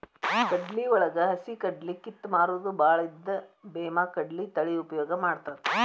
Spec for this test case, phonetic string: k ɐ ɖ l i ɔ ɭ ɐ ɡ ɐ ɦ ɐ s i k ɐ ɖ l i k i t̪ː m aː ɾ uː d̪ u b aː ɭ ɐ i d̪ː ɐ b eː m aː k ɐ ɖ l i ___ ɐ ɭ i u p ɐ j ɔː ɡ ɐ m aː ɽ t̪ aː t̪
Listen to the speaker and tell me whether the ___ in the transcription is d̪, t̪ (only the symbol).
t̪